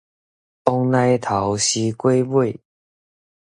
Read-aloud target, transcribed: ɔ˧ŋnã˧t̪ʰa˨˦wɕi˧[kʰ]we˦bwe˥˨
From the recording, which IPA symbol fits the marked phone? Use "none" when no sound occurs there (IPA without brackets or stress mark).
k